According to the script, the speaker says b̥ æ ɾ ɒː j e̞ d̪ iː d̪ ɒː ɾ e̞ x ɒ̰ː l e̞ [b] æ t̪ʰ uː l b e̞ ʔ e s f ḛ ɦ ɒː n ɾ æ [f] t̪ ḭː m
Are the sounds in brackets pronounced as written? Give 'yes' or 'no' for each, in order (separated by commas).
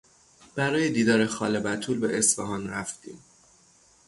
yes, yes